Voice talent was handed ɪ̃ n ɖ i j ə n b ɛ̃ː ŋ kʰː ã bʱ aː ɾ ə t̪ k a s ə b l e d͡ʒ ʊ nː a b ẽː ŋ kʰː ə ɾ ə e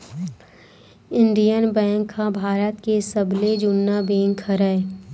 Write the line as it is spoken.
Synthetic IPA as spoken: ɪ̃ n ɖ i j ə n b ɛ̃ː ŋ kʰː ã bʱ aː ɾ ə t̪ k e s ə b l e d͡ʒ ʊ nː a b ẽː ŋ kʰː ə ɾ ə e